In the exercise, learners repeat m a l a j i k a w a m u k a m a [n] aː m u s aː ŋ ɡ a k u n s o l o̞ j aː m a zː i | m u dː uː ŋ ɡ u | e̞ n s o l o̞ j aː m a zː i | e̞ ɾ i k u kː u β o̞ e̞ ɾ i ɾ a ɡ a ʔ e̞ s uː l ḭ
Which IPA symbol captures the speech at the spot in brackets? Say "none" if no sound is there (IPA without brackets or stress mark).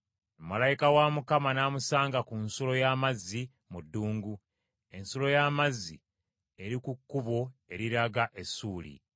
n